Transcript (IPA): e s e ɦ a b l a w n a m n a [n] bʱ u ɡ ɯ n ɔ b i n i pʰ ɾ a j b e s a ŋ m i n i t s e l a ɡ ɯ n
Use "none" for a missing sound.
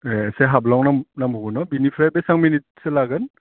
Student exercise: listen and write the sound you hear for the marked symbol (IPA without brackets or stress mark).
m